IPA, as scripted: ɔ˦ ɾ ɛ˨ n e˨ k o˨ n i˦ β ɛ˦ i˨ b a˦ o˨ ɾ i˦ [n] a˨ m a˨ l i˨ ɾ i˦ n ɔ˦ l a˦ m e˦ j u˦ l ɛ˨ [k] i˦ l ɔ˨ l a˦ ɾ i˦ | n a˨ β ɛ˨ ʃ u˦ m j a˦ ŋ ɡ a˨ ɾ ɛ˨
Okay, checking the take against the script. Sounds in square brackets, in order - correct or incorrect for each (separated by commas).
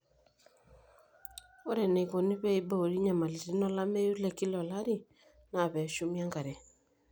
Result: incorrect, correct